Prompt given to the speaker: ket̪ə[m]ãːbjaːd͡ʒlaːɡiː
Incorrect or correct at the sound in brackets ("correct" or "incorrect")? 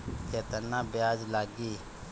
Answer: incorrect